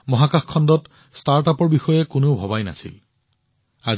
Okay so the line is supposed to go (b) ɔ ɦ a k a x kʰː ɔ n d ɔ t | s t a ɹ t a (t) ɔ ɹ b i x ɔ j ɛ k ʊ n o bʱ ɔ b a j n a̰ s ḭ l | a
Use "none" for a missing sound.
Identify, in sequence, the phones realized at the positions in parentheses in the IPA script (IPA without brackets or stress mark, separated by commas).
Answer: m, p